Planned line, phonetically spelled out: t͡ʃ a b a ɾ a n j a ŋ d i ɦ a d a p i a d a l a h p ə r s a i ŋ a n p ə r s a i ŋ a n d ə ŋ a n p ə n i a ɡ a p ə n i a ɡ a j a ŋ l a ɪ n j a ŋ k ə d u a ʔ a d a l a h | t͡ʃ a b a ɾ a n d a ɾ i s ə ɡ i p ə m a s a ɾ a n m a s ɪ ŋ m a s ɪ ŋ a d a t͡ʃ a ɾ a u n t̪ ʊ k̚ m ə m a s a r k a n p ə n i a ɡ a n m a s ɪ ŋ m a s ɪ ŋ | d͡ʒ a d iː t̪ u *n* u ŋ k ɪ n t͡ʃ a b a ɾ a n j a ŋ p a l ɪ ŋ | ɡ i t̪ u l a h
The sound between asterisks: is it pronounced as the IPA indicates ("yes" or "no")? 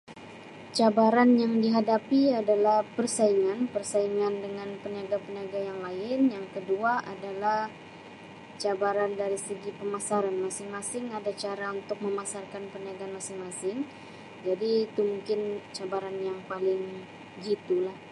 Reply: no